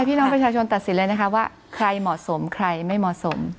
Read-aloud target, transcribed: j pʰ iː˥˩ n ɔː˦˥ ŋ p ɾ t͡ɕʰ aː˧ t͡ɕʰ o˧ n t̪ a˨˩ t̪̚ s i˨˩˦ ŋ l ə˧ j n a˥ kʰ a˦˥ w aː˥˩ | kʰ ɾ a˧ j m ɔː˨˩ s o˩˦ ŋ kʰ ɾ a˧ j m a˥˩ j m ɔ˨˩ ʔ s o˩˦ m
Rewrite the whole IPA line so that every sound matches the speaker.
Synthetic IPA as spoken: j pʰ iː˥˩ n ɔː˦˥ ŋ p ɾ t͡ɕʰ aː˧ t͡ɕʰ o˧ n t̪ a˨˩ t̪̚ s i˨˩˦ n l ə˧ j n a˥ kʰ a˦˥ w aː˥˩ | kʰ ɾ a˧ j m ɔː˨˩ s o˩˦ m kʰ ɾ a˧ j m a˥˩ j m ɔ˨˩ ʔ s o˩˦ m